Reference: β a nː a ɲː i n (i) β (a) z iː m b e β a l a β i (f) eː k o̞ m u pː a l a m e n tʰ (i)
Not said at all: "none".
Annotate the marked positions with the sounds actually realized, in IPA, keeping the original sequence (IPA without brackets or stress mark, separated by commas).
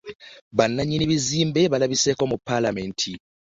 i, i, s, i